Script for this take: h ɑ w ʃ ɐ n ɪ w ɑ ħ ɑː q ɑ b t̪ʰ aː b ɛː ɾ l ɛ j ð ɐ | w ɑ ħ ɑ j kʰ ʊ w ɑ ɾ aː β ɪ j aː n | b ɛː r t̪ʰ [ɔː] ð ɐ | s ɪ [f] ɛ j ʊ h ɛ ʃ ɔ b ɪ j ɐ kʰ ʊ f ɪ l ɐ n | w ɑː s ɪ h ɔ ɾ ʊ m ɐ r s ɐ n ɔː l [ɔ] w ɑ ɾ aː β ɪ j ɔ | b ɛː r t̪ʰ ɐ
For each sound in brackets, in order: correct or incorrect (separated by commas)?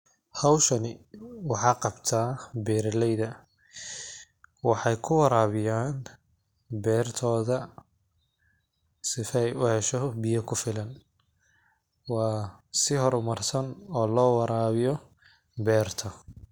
correct, correct, incorrect